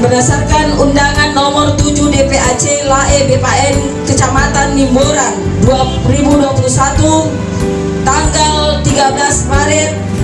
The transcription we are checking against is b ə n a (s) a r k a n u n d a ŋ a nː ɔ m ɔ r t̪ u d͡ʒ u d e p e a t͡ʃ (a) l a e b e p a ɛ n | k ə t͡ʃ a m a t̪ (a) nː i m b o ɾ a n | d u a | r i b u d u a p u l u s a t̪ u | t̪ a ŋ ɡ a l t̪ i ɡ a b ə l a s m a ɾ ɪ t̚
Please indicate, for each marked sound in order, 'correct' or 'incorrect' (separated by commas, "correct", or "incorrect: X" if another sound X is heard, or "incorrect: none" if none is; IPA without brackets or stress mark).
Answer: correct, incorrect: e, correct